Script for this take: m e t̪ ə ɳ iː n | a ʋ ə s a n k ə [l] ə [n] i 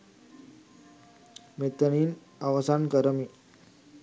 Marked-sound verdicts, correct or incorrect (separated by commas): incorrect, incorrect